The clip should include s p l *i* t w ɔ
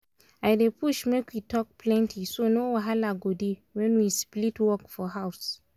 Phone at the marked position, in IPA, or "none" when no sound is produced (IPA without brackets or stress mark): i